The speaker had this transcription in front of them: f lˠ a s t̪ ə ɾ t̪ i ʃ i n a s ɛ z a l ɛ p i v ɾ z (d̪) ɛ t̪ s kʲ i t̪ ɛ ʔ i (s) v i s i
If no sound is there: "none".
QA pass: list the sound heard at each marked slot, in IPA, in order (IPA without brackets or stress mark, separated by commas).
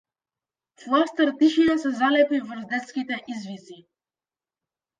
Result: d̪, z